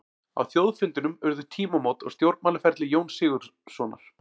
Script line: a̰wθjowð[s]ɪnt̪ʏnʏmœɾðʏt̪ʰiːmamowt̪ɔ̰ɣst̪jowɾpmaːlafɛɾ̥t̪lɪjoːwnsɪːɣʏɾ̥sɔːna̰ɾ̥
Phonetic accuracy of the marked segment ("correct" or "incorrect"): incorrect